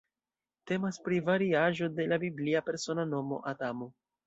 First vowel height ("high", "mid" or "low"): mid